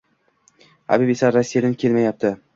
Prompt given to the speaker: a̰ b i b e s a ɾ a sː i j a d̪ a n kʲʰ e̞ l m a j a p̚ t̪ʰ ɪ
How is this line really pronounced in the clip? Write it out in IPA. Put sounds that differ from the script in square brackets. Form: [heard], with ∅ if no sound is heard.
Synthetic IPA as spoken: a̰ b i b e s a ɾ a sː i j a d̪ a n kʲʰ e̞ l m a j a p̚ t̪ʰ ɪ